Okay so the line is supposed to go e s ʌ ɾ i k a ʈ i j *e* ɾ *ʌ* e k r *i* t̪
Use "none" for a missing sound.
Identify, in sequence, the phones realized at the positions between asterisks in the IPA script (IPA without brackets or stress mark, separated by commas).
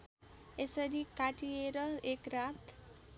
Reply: e, ʌ, a